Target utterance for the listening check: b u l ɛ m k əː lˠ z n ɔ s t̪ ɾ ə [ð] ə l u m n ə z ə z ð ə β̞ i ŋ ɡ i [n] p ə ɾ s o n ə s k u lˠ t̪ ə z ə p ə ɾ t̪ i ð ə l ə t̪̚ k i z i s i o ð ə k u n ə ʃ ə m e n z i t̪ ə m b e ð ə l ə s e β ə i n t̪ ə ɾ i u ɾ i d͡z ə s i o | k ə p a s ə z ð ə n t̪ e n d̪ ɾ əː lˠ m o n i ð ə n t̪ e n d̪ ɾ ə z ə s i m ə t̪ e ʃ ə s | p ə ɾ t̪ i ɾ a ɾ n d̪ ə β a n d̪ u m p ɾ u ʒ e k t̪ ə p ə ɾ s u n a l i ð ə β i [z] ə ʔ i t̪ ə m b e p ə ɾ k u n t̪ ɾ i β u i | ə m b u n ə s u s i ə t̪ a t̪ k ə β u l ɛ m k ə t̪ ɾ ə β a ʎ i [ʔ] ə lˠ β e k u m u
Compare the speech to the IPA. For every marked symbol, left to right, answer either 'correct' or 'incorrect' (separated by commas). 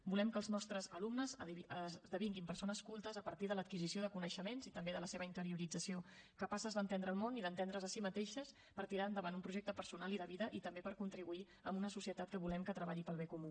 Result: incorrect, incorrect, incorrect, incorrect